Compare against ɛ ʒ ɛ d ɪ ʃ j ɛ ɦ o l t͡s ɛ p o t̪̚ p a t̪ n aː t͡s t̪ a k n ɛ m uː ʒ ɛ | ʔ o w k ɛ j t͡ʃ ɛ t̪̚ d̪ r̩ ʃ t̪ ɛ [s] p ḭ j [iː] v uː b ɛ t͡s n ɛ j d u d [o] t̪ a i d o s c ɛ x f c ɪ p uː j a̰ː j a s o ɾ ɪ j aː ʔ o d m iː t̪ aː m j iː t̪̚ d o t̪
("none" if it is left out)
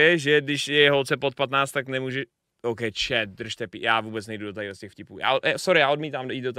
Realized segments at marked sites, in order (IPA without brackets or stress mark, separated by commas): none, aː, o